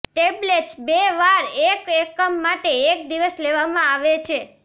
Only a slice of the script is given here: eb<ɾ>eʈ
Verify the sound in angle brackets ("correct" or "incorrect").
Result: incorrect